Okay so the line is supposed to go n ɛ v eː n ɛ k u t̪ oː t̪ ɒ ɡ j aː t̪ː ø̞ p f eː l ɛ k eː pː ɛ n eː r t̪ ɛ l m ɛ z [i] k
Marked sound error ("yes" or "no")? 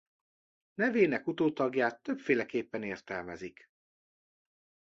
no